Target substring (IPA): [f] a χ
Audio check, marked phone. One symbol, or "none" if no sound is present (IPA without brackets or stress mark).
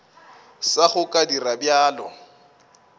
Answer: s